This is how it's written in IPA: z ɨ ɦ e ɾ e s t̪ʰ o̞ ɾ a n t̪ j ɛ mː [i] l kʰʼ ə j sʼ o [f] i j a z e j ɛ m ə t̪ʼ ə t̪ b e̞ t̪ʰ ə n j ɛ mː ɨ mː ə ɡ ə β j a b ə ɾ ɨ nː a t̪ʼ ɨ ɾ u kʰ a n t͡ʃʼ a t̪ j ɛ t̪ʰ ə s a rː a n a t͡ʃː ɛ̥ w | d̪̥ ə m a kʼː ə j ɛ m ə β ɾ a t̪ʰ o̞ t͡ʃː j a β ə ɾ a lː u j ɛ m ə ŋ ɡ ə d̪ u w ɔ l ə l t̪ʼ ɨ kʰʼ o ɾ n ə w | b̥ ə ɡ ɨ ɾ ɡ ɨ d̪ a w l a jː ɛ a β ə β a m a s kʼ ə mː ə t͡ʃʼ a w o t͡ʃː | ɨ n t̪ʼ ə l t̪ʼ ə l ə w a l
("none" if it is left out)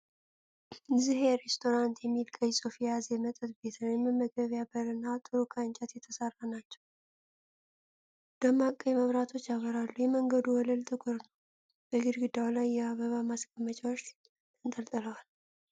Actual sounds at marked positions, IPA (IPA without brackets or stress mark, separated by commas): i, f